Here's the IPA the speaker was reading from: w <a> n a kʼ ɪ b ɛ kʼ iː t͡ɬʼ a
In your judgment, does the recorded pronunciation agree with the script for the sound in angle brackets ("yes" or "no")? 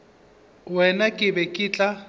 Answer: no